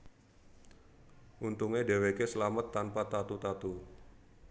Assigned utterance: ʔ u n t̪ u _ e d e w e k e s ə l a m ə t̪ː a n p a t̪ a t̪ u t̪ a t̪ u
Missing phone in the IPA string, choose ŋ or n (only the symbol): ŋ